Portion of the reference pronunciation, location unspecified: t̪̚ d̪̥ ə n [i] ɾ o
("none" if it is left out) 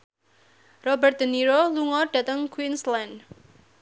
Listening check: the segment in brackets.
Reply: i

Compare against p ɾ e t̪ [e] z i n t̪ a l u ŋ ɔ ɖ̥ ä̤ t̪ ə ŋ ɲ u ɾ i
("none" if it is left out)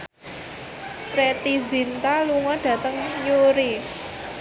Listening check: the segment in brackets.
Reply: i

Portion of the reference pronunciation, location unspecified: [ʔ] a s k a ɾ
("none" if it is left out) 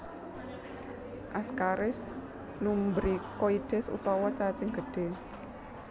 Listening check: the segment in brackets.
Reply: ʔ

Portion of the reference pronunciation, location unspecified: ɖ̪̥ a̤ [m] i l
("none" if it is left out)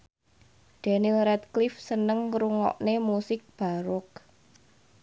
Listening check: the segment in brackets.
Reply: n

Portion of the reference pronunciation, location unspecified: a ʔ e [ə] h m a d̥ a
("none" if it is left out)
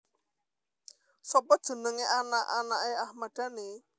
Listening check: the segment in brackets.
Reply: a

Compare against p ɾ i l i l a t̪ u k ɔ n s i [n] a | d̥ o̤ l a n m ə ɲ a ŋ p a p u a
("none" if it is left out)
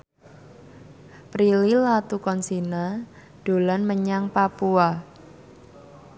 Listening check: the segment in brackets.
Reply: n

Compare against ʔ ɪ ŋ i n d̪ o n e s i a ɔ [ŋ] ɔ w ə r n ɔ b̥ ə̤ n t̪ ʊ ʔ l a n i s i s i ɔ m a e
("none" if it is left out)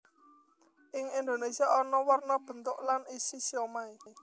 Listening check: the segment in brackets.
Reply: n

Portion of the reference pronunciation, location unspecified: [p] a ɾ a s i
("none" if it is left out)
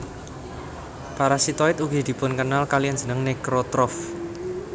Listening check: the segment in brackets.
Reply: p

